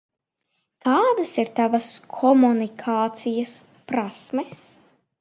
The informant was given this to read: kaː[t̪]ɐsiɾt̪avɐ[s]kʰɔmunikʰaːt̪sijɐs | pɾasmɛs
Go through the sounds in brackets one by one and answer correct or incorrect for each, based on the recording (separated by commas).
incorrect, correct